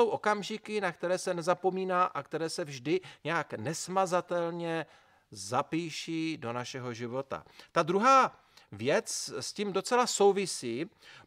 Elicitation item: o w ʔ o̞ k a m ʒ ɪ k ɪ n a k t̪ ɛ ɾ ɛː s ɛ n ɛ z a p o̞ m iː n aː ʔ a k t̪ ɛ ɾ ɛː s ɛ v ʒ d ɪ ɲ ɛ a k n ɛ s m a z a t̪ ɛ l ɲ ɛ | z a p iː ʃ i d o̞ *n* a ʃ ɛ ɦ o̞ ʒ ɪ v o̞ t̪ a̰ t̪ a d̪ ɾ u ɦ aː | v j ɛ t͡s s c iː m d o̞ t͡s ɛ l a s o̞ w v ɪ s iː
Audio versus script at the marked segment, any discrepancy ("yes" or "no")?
no